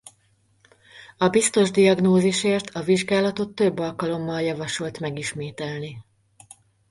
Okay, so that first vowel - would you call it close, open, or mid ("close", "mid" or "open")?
open